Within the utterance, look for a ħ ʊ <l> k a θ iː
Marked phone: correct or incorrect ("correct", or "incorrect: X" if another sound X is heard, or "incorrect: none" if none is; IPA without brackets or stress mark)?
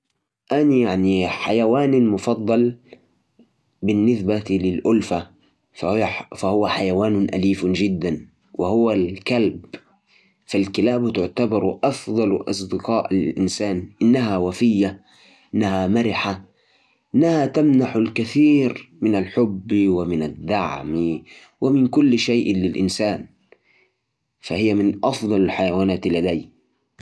correct